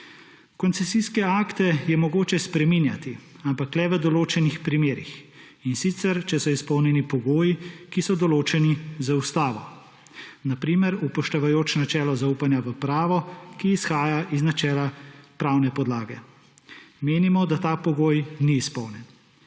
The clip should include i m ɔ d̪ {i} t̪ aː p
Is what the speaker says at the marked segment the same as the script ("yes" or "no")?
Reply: no